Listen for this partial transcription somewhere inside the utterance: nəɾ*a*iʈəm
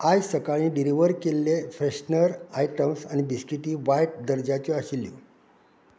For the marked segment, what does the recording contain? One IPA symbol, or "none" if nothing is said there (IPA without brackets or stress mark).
a